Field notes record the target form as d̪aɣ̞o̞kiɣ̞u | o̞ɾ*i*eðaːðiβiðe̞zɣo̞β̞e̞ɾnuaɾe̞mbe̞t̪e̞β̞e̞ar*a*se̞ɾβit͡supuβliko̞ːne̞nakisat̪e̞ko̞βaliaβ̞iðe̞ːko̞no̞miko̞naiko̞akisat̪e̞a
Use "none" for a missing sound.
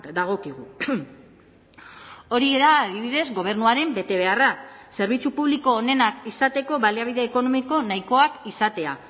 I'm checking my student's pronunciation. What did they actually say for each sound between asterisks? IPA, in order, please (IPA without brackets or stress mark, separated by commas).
i, a